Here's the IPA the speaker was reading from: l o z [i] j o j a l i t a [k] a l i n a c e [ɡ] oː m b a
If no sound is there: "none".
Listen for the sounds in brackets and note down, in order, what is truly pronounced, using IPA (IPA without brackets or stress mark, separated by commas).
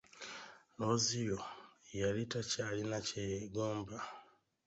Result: i, c, ɡ